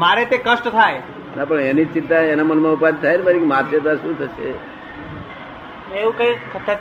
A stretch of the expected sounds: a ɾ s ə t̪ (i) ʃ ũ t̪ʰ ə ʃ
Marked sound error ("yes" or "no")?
yes